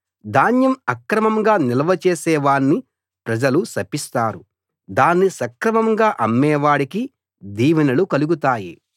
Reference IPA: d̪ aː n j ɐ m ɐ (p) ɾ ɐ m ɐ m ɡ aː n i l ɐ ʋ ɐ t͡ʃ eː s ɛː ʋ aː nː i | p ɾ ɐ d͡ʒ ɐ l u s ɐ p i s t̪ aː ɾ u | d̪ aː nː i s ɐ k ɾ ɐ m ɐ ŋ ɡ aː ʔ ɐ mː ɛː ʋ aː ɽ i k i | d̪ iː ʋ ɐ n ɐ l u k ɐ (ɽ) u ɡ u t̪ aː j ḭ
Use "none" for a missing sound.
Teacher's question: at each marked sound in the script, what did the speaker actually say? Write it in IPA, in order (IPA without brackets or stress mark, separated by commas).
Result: k, l